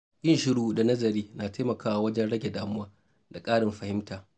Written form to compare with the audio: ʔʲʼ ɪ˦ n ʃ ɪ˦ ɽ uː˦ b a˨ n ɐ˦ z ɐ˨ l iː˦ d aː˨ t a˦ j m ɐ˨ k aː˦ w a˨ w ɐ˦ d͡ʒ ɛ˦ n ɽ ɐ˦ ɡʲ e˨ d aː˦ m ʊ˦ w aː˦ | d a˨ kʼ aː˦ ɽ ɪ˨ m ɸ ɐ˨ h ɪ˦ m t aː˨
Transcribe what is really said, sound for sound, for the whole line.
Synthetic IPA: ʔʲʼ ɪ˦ n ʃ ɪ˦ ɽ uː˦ d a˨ n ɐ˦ z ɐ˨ ɾ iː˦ n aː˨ t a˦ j m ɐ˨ k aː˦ w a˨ w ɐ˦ d͡ʒ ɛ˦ n ɽ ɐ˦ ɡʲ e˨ d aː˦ m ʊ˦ w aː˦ | d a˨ kʼ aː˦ ɽ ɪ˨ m ɸ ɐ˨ h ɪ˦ m t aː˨